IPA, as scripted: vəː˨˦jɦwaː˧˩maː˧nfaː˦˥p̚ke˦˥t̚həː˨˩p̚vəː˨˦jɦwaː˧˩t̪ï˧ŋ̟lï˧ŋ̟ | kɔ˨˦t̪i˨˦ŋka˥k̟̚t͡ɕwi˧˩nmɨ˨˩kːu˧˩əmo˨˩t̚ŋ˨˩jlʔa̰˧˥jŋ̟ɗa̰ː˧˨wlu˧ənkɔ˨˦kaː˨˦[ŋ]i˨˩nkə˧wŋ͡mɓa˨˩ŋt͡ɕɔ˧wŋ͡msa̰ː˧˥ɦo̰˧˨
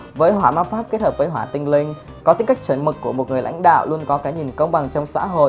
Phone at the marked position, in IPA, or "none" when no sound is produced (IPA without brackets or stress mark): ɲ